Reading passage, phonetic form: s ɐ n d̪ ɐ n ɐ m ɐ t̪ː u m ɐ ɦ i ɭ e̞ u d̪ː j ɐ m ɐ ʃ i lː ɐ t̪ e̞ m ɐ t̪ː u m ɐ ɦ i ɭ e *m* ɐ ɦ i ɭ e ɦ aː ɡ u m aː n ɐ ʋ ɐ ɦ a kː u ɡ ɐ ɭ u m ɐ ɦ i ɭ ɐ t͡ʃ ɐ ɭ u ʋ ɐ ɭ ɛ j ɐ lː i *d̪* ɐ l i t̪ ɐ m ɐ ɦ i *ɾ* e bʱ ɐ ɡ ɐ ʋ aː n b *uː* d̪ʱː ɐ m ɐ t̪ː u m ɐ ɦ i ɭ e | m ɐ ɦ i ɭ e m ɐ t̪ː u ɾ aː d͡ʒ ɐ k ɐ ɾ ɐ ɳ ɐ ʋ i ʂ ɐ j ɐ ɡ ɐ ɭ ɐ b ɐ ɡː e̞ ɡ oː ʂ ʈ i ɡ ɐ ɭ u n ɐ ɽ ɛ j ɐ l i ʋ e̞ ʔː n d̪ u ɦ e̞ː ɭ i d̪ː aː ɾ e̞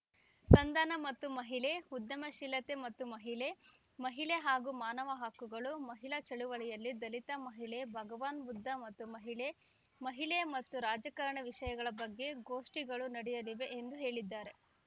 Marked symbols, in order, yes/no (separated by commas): yes, yes, no, no